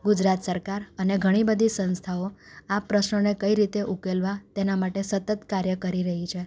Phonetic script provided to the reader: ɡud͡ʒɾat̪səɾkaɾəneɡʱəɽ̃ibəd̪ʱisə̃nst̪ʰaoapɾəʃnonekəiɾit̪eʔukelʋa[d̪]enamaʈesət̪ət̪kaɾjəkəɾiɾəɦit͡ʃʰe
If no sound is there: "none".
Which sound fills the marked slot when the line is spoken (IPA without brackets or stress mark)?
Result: t̪